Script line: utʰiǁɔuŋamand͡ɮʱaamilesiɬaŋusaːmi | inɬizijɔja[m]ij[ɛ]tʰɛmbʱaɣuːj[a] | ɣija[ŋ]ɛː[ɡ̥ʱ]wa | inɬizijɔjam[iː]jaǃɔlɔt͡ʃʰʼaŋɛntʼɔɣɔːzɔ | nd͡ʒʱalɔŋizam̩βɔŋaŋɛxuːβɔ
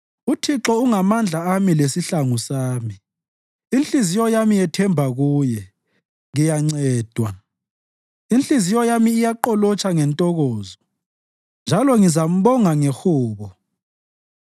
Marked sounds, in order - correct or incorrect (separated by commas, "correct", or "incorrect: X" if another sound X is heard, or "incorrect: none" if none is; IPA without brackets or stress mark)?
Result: correct, correct, incorrect: ɛ, incorrect: ŋ͡ǀ, incorrect: d̥ʱ, correct